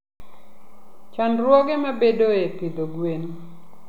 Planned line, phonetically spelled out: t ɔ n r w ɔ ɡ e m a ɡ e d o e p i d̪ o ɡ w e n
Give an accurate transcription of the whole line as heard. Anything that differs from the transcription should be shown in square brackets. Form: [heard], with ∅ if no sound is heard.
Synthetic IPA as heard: [t͡ʃ] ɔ n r w ɔ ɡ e m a [b] e d o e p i d̪ o ɡ w e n